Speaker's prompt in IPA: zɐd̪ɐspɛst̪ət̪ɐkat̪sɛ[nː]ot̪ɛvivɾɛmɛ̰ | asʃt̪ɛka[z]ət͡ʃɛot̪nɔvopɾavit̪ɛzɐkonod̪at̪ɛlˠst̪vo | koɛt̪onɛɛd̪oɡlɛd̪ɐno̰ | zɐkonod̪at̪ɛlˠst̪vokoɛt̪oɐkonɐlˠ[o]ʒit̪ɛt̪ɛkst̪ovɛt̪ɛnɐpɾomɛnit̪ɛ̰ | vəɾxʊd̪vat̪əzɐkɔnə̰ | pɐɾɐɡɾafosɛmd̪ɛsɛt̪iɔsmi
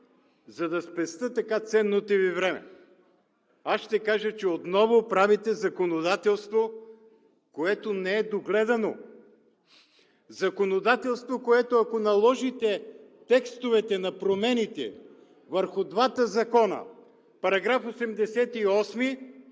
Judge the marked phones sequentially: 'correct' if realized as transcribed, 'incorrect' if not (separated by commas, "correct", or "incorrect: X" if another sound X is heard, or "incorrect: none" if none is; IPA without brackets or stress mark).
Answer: correct, incorrect: ʒ, incorrect: ɔ